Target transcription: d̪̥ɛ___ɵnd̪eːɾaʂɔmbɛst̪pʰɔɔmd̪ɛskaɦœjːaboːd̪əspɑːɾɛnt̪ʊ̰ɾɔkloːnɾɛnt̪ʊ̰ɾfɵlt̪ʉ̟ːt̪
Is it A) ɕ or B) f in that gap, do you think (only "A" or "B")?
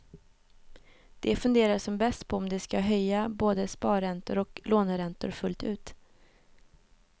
B